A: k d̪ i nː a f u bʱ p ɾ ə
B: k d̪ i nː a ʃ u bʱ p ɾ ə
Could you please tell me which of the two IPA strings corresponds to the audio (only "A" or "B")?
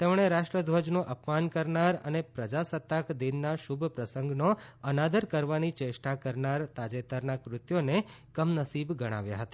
B